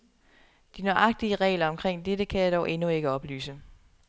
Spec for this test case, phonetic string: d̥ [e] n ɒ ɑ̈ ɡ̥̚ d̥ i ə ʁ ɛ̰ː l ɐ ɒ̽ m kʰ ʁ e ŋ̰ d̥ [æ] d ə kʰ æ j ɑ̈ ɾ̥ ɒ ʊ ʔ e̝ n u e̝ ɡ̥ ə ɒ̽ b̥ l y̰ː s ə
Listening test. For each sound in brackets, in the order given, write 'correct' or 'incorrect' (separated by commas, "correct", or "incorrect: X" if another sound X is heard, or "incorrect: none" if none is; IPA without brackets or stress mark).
incorrect: i, incorrect: e